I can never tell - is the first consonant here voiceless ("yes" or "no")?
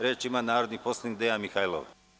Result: no